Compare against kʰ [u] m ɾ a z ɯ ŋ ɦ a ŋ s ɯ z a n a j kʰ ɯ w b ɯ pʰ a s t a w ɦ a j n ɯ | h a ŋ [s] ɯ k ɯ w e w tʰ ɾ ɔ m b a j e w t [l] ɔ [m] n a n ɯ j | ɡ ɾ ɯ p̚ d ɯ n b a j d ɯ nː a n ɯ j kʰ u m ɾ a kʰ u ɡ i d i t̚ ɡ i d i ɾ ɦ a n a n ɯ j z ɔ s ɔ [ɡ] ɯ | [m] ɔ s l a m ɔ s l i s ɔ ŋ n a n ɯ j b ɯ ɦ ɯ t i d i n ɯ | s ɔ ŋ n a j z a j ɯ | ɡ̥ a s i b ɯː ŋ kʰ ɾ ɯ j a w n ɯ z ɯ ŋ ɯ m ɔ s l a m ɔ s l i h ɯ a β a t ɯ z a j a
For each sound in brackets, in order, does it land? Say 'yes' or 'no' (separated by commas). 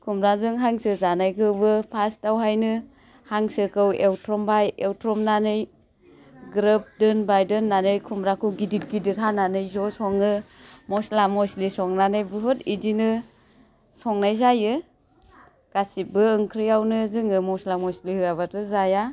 yes, yes, no, yes, no, yes